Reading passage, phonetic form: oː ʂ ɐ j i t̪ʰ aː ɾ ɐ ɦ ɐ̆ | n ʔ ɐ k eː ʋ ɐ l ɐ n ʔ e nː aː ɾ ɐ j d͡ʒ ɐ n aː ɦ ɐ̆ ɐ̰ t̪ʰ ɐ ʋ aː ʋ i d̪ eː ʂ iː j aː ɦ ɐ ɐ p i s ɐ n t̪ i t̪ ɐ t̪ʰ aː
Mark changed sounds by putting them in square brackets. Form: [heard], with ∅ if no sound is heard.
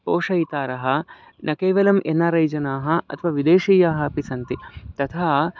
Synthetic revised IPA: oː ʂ ɐ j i [t̪] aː ɾ ɐ ɦ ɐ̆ | n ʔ ɐ k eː ʋ ɐ l ɐ [m] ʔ e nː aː ɾ ɐ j d͡ʒ ɐ n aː ɦ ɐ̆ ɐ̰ t̪ʰ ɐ ʋ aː ʋ i d̪ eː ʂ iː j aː ɦ ɐ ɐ p i s ɐ n t̪ i t̪ ɐ t̪ʰ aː